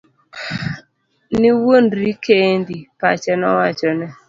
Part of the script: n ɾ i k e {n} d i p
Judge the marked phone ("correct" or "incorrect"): correct